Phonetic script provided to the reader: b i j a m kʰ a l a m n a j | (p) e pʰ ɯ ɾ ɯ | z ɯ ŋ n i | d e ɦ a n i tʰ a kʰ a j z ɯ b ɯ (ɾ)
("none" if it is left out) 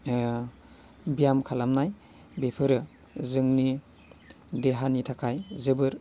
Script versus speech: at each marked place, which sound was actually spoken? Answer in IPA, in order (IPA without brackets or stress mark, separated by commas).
b, ɾ